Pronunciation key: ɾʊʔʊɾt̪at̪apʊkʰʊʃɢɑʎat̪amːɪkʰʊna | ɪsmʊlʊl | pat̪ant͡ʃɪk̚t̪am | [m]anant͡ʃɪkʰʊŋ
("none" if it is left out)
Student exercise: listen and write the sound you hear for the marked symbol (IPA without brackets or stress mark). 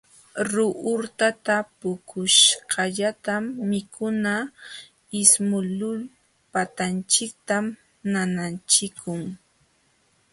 n